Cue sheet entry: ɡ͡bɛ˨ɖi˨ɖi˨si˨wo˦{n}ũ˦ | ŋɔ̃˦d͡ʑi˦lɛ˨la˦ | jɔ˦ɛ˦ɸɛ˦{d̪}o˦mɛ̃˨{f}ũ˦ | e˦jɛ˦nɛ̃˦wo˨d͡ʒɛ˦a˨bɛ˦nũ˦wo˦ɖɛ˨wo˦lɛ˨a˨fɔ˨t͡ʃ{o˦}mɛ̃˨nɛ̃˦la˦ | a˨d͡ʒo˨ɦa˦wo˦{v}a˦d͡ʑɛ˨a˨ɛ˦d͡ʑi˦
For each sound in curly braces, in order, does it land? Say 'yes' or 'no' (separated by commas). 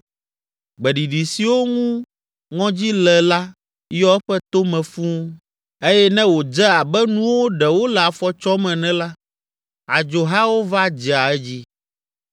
no, no, yes, no, yes